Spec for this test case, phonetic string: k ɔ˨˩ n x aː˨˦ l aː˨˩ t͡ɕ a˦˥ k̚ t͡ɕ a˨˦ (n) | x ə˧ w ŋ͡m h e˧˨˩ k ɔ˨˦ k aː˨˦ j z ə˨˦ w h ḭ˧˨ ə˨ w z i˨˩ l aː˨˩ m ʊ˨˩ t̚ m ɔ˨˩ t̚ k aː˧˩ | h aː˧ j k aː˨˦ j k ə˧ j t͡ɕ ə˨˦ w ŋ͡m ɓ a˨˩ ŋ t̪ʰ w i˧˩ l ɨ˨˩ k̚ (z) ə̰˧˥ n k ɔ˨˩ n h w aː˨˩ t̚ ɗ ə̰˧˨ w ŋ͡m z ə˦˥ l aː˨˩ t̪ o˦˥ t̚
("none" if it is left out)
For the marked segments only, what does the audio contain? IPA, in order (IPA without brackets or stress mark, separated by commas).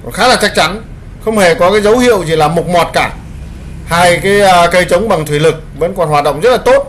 n, v